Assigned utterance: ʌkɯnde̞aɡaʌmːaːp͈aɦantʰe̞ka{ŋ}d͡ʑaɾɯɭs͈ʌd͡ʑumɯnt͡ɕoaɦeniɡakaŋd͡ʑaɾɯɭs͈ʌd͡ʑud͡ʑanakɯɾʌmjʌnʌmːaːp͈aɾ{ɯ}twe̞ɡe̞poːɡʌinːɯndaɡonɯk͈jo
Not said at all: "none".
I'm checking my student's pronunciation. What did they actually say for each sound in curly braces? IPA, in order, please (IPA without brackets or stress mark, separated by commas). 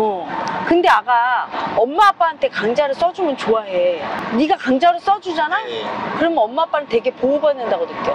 ŋ, ɯ